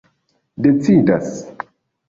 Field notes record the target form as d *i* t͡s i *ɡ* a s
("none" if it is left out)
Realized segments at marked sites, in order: e, d

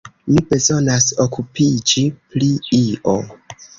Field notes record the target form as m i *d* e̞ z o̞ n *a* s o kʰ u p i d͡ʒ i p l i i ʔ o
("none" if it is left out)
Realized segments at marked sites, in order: b, a

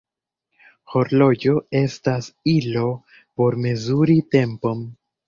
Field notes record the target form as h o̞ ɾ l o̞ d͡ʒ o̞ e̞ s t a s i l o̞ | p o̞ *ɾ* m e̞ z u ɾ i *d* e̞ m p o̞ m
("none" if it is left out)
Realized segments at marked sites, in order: ɾ, t

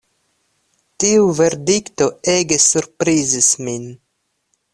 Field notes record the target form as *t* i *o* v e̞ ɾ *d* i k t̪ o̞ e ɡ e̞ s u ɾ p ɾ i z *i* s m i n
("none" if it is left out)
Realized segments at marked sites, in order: t, u, d, i

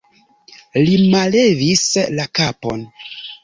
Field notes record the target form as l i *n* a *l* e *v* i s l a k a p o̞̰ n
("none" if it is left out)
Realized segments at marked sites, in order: m, l, v

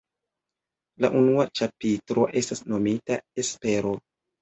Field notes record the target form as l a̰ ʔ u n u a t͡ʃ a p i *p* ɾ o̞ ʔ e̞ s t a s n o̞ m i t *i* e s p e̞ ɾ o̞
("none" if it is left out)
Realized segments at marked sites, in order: t, a

